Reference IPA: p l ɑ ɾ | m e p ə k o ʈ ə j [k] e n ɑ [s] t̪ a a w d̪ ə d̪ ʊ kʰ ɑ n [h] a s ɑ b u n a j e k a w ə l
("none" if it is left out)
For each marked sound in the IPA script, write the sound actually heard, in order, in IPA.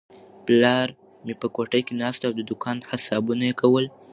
k, s, h

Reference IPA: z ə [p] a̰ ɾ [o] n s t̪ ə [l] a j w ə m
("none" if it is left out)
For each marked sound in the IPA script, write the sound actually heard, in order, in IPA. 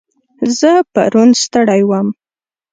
p, u, ɽ

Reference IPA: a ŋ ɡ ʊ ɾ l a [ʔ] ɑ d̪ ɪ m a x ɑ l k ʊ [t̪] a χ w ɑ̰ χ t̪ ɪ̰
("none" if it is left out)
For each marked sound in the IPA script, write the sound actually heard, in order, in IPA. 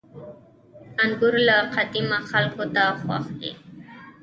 q, t̪

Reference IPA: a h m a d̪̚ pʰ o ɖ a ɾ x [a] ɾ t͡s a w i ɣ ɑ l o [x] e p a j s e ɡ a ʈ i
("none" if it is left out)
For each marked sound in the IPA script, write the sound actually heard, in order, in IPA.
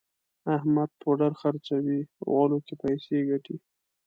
a, k

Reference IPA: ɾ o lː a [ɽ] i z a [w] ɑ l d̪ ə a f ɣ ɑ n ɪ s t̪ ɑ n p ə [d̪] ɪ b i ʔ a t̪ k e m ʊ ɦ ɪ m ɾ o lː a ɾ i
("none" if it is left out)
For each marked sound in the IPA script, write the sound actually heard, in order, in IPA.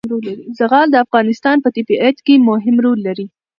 ɾ, ɣ, t̪

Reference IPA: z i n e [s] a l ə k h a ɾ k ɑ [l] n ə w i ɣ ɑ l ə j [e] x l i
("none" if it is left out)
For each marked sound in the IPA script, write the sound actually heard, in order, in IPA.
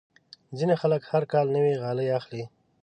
x, l, a

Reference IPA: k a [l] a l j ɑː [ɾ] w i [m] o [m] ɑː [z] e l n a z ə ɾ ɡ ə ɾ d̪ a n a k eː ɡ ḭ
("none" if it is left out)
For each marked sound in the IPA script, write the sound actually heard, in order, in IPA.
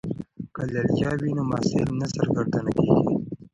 l, none, n, m, s

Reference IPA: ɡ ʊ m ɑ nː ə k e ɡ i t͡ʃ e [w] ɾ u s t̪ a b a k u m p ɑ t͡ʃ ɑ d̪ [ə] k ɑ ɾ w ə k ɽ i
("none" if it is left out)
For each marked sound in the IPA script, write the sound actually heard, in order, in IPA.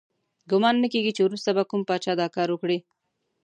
w, ɑ

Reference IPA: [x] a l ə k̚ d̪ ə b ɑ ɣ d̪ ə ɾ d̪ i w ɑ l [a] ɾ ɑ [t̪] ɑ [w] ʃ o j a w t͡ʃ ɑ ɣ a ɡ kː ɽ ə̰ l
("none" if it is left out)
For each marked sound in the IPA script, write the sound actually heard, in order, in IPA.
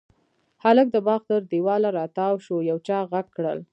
h, a, t̪, w

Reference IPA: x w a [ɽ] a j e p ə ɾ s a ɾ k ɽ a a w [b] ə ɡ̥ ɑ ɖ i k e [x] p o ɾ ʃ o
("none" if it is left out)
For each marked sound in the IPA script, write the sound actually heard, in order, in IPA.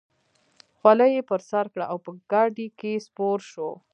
l, p, s

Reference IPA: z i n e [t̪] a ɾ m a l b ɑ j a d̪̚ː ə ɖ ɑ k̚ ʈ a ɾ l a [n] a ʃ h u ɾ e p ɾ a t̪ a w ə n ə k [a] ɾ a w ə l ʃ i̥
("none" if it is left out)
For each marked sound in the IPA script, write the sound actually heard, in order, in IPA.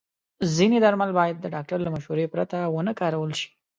d̪, m, ɑ

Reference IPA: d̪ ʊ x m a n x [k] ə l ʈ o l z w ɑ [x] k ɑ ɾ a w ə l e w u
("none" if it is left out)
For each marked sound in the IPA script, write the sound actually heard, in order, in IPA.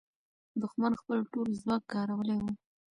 p, k

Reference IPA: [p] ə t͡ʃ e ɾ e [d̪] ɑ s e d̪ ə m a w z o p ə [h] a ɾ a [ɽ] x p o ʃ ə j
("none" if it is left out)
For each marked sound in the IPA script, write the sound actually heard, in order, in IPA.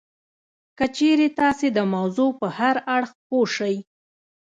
k, t̪, h, ɽ

